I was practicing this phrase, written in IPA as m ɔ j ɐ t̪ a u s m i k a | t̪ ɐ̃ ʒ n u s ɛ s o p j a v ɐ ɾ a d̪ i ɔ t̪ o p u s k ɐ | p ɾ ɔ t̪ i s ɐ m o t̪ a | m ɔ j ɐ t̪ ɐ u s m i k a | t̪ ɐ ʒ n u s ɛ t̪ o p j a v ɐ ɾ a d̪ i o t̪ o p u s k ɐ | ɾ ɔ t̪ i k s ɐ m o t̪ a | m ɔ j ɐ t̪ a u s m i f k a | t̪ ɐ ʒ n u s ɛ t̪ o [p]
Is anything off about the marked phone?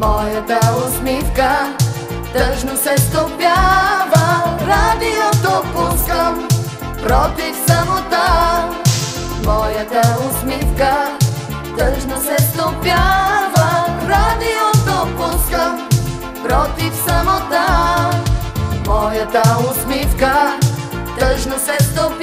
no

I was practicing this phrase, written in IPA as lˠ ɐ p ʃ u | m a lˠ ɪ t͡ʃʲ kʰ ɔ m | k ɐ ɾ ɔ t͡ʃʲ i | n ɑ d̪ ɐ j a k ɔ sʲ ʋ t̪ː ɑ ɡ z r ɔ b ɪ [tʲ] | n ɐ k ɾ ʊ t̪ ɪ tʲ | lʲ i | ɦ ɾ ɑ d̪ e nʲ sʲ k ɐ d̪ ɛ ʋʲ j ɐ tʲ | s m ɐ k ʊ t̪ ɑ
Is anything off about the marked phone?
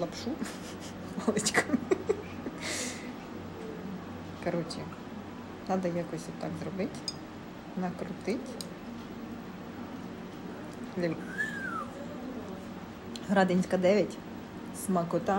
no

